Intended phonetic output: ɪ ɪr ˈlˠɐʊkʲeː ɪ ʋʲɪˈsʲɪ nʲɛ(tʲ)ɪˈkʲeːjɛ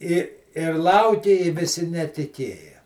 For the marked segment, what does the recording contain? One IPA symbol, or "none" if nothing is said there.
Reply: tʲ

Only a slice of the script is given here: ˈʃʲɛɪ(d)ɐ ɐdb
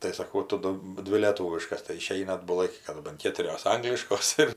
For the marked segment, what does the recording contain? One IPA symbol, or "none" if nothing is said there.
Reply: n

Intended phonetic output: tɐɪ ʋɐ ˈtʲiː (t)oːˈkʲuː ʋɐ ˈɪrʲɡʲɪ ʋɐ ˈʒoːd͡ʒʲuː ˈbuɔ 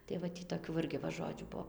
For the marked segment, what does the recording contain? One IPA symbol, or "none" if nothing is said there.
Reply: t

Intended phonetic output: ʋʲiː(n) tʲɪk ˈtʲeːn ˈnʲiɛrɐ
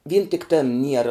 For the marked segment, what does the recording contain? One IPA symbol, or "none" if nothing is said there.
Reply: n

